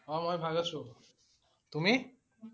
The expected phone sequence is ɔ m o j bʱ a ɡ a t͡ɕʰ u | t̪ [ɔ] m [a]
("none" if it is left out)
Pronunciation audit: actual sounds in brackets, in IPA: u, i

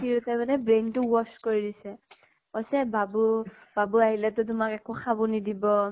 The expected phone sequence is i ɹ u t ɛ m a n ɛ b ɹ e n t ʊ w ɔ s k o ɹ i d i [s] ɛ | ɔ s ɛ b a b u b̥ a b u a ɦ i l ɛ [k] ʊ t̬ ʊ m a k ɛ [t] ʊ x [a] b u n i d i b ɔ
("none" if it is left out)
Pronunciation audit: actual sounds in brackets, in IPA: s, t, k, a

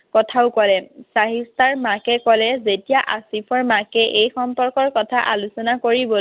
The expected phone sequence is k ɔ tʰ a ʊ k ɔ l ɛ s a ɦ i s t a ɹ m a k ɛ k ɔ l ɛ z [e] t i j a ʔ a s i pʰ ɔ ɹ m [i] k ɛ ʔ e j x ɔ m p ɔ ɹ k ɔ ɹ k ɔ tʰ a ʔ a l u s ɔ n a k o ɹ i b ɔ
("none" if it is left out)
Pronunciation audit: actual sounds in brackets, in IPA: e, a

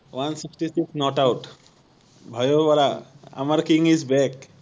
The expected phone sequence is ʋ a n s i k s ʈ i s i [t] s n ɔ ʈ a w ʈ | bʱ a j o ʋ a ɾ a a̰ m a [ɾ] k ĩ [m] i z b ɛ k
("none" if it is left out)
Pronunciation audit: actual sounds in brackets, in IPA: k, ɾ, ŋ

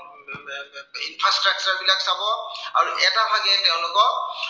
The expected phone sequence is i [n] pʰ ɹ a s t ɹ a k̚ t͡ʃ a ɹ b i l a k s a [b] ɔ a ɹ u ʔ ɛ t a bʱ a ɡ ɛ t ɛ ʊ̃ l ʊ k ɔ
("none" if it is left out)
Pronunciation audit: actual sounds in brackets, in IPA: n, b

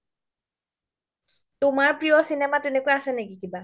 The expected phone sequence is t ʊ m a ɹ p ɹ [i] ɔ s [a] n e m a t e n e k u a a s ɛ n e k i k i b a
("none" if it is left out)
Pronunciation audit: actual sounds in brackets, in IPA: i, i

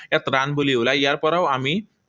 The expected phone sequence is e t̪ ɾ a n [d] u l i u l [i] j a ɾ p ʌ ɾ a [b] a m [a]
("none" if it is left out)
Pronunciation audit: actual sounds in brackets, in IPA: b, a, w, i

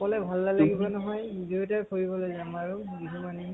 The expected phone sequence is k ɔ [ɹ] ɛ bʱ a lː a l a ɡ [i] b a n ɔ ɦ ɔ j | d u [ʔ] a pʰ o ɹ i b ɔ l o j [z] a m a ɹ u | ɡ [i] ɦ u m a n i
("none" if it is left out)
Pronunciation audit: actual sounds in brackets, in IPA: l, i, t, z, i

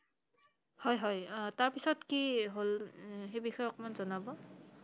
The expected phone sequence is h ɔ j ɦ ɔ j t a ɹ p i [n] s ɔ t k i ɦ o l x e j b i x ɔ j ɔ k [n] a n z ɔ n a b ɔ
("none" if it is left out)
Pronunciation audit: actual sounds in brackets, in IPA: none, m

